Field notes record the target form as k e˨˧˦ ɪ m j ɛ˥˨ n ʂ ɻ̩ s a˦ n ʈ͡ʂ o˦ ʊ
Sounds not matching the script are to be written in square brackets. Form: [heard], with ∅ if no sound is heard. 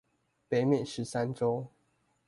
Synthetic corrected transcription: [p] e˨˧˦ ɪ m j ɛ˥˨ n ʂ ɻ̩ s a˦ n ʈ͡ʂ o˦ ʊ